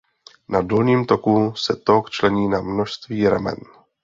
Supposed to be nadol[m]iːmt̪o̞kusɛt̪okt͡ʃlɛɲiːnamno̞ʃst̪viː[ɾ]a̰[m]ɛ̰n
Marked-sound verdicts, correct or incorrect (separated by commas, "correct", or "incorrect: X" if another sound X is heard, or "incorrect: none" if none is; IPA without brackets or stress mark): incorrect: ɲ, correct, correct